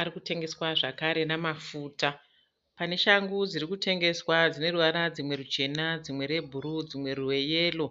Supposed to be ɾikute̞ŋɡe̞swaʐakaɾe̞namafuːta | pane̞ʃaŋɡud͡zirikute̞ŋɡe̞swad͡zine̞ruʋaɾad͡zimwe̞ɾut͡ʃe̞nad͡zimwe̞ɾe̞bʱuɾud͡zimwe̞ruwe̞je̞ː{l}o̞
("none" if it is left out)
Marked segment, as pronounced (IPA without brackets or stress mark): l